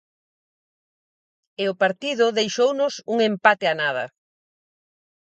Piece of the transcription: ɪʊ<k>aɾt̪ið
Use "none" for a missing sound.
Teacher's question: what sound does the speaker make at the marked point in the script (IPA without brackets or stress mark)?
p